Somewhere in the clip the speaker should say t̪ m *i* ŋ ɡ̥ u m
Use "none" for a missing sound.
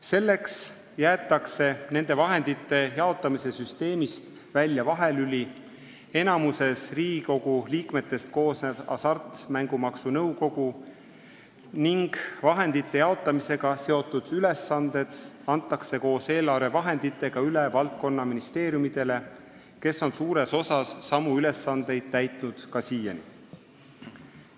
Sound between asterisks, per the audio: æ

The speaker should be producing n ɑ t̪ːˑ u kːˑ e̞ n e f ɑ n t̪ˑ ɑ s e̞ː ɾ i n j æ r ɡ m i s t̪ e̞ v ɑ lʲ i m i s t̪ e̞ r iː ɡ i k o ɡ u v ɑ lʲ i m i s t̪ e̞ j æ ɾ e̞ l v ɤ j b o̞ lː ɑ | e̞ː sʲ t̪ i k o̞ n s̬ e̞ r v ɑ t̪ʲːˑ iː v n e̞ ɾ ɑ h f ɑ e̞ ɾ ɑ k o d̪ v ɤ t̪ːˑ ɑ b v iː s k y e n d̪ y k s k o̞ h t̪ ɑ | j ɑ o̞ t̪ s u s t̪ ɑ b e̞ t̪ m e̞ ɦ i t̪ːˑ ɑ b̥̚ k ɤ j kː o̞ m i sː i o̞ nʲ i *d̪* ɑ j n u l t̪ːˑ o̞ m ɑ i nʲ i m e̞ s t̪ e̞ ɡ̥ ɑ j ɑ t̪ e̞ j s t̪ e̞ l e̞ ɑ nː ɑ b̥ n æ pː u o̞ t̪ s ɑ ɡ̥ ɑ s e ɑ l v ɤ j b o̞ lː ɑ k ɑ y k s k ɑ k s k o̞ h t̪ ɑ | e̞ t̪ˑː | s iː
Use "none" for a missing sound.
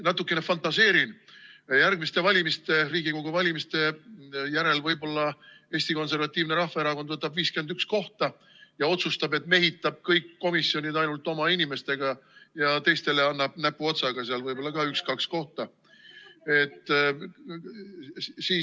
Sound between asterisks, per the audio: d̪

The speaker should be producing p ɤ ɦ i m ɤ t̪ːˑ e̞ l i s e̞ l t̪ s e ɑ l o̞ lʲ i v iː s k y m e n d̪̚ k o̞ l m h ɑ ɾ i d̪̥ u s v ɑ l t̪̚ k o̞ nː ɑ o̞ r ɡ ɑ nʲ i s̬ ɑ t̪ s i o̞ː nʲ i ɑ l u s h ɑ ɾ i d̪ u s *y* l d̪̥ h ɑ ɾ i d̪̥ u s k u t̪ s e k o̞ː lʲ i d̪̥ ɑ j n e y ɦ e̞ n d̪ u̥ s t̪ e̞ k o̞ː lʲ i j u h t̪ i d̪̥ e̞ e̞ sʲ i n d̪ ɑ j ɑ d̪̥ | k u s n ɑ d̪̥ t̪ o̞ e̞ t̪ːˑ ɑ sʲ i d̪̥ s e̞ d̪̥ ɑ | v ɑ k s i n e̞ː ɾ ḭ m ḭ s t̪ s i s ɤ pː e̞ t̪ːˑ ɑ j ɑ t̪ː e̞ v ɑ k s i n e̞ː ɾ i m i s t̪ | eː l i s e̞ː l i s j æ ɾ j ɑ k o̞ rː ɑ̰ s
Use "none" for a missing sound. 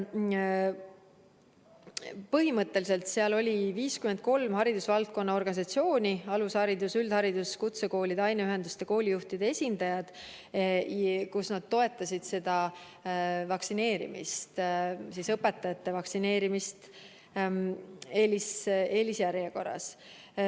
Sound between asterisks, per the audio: y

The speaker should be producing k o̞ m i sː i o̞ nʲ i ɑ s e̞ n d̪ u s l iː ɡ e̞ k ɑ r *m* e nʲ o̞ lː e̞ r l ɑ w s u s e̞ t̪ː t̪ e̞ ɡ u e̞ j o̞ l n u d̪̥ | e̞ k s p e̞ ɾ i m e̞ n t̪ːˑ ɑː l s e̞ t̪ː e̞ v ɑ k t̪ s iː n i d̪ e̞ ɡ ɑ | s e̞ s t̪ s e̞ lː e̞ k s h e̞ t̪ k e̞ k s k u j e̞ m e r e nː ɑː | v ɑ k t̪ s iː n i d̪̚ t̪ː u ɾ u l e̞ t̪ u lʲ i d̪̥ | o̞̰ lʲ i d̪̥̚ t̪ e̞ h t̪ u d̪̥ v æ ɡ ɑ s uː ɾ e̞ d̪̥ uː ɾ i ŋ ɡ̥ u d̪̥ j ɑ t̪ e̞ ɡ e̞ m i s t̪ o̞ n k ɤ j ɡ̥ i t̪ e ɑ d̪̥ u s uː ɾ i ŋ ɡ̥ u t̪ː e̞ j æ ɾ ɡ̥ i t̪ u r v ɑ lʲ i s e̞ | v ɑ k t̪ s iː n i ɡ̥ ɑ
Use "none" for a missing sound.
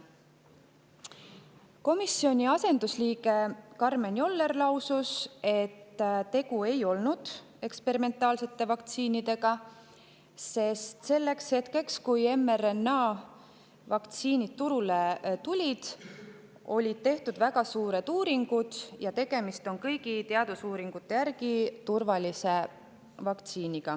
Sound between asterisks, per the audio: m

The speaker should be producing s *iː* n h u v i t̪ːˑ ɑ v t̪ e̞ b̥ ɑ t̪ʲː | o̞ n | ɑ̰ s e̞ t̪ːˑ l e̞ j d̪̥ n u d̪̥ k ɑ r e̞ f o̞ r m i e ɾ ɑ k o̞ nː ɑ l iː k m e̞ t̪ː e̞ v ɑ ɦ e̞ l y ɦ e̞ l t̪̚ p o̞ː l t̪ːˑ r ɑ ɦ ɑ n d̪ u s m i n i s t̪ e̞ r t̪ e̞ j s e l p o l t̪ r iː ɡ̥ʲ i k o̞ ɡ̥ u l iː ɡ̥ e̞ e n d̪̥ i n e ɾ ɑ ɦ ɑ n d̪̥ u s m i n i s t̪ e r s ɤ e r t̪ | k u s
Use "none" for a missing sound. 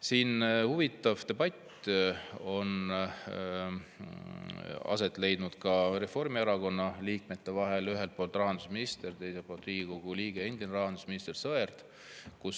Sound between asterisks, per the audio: iː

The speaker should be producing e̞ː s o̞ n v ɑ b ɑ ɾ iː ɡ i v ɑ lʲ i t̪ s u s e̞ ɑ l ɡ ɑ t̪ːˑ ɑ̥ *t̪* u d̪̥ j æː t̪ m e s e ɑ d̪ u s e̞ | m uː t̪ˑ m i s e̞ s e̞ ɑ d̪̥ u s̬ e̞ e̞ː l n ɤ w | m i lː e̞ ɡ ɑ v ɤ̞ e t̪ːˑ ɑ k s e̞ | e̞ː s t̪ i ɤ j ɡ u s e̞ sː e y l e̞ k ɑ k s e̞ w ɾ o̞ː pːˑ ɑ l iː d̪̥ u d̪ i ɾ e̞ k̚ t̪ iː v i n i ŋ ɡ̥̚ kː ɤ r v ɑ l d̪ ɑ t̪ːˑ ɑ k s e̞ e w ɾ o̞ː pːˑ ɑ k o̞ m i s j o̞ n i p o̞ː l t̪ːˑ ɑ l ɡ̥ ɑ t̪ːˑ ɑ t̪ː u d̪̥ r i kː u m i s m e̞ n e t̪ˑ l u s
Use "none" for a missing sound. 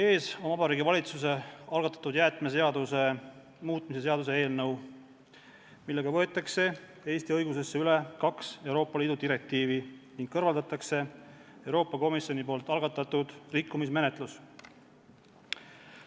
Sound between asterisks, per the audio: t̪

